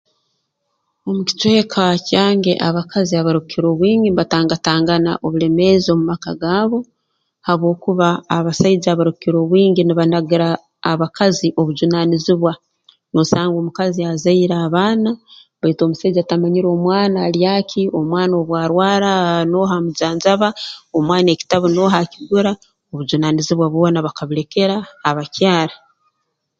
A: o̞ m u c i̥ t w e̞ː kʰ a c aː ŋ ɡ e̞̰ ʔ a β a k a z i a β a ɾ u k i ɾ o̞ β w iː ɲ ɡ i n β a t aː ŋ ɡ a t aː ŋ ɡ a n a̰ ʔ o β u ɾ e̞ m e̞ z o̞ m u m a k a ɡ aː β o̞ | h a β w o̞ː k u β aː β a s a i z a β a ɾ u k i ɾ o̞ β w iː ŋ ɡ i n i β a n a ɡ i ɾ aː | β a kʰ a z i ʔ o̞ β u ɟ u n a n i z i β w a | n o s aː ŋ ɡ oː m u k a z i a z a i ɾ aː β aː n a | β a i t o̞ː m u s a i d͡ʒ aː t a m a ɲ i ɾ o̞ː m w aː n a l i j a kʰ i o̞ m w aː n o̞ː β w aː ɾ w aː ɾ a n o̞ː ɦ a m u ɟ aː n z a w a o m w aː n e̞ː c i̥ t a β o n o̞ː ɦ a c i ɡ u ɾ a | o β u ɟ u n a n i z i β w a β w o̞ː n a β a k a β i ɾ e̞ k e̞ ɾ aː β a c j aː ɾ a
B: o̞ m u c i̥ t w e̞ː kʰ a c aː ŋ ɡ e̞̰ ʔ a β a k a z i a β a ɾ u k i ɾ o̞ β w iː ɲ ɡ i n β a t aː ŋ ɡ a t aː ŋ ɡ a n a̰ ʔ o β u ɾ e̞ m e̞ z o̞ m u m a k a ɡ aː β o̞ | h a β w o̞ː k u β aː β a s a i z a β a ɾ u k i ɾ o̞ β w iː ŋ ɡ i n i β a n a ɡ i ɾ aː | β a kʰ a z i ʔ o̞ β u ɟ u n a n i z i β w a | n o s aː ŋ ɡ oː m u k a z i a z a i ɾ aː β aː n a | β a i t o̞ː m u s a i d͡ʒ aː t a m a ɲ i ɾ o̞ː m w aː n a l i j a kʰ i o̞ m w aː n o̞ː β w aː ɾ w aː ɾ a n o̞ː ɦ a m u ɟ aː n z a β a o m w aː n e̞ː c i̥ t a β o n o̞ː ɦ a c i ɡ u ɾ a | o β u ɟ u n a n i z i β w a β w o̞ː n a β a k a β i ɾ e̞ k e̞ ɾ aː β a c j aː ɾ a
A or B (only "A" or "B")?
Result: B